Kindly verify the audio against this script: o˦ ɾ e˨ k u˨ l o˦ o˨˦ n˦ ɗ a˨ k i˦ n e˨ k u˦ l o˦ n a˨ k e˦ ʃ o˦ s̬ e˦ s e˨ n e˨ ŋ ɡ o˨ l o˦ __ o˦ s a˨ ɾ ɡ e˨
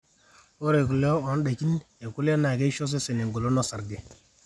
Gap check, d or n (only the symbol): n